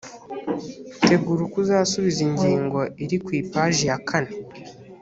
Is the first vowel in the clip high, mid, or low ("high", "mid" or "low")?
mid